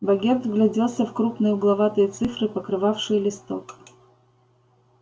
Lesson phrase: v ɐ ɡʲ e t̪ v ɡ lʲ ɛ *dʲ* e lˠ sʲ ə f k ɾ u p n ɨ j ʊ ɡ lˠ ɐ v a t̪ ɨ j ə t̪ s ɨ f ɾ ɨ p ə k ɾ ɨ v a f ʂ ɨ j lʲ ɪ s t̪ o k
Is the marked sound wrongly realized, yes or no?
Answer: no